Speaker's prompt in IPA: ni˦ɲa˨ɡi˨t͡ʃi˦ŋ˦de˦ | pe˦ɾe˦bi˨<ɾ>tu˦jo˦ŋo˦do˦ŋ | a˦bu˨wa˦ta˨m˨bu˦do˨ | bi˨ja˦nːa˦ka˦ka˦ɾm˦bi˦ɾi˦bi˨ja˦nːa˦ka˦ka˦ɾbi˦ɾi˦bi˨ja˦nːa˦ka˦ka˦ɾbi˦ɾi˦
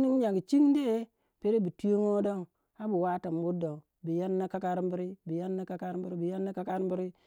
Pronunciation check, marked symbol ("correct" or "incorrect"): incorrect